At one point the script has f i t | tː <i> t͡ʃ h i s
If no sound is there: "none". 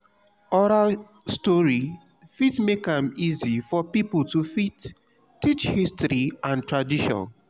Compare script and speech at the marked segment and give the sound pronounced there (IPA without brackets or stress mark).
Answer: i